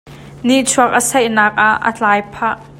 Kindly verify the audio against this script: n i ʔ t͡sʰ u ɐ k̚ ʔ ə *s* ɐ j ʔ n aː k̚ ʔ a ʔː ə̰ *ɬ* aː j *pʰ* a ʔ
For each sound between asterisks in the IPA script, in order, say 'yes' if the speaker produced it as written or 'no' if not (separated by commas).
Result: yes, no, yes